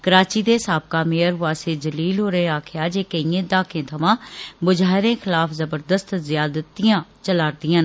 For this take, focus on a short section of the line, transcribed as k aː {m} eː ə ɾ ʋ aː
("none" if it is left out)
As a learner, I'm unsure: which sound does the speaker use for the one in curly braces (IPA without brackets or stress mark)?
m